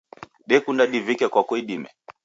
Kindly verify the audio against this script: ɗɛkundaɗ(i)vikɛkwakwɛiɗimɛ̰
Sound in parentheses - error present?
no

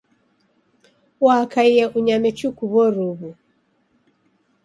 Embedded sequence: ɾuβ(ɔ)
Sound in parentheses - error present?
yes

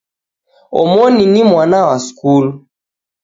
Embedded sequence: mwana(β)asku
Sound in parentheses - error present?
yes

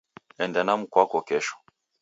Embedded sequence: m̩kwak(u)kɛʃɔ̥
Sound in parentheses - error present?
yes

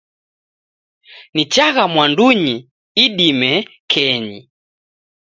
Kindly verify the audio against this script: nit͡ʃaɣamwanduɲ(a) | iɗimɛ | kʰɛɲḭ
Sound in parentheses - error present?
yes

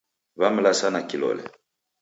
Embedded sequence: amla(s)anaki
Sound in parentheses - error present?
no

